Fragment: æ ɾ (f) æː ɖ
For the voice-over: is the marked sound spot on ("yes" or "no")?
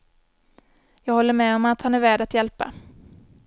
no